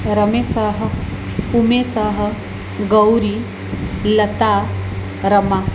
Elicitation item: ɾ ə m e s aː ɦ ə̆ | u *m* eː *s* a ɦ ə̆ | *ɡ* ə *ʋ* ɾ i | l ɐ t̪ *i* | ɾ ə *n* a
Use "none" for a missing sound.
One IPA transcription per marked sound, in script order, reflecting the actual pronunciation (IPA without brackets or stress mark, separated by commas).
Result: m, s, ɡ, w, a, m